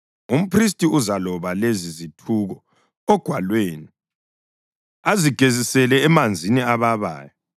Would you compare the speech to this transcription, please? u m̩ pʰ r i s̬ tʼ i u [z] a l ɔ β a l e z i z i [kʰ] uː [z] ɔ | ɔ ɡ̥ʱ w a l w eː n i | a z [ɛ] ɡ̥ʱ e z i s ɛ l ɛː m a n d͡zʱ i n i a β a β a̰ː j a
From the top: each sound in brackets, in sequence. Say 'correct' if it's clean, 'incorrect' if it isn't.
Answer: correct, incorrect, incorrect, incorrect

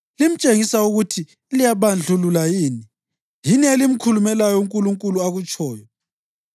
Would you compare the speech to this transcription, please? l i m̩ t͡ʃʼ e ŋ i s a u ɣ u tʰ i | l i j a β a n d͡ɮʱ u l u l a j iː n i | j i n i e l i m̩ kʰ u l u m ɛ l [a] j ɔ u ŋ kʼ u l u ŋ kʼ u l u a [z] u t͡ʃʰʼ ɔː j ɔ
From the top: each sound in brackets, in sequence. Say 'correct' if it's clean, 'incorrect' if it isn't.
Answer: correct, incorrect

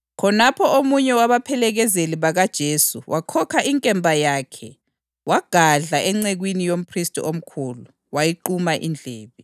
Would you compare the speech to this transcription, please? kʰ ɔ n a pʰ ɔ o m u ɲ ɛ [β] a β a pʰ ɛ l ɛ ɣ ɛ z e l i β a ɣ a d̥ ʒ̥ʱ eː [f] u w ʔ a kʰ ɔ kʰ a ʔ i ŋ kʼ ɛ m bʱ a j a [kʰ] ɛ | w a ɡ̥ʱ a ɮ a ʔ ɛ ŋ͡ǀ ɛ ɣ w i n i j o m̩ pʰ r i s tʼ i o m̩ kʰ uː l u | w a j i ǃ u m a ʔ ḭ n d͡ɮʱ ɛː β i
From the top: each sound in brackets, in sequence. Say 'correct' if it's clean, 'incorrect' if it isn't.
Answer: incorrect, incorrect, correct

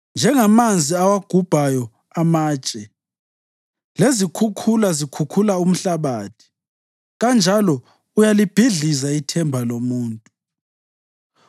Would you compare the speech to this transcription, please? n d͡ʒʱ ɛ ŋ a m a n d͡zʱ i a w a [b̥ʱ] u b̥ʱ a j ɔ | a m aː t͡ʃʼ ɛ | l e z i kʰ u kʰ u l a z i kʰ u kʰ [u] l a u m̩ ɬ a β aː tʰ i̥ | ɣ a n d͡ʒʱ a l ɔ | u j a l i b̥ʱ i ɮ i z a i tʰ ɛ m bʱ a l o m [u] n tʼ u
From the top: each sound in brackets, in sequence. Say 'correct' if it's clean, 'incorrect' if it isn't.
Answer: incorrect, correct, incorrect

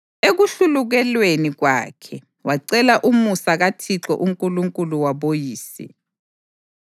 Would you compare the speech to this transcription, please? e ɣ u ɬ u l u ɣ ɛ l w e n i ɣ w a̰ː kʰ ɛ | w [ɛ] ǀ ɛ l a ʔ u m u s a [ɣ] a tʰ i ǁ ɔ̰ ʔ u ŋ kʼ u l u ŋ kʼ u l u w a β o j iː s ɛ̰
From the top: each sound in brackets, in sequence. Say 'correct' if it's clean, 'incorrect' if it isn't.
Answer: incorrect, correct

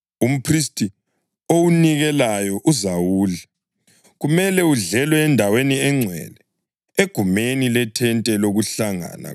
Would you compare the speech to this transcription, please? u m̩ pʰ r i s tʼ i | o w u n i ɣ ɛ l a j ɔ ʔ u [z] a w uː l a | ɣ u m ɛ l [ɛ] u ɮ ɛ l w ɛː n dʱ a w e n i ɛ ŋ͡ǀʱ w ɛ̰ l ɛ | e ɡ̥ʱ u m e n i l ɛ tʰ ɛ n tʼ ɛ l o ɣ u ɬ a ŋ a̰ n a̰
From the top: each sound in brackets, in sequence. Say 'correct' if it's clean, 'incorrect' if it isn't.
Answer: correct, correct

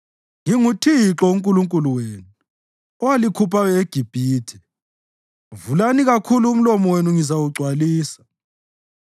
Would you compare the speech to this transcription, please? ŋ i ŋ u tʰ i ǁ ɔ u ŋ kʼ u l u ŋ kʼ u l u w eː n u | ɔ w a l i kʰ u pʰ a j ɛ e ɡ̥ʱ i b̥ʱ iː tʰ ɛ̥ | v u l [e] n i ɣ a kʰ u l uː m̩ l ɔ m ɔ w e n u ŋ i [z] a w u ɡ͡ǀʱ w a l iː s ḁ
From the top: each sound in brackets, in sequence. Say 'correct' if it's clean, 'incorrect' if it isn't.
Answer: incorrect, correct

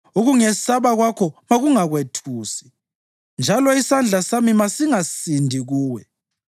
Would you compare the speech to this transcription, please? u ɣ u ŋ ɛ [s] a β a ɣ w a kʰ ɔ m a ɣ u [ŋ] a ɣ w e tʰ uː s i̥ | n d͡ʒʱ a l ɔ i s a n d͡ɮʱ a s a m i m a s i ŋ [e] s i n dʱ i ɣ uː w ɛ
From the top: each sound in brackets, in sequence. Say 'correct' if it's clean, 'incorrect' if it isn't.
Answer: correct, correct, incorrect

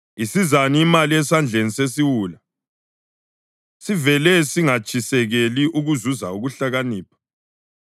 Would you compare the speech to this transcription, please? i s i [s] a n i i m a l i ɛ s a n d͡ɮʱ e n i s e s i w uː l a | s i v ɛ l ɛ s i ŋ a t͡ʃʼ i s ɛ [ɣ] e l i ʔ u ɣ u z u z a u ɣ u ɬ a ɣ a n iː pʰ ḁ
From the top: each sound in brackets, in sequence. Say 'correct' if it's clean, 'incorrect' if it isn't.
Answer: incorrect, correct

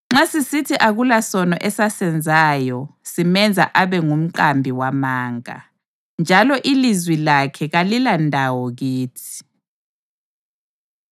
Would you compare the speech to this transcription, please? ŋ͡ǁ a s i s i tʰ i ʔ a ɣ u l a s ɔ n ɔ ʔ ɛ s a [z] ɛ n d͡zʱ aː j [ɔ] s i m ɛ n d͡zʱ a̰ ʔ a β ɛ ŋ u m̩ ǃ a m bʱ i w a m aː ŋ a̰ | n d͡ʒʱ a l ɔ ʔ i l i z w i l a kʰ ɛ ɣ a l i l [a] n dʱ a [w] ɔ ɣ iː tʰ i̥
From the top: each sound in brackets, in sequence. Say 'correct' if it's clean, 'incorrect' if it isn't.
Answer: incorrect, correct, correct, correct

